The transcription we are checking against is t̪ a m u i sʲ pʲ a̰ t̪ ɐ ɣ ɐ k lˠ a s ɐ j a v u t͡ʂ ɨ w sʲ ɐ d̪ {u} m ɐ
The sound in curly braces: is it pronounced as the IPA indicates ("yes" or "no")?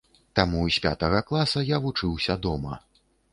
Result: no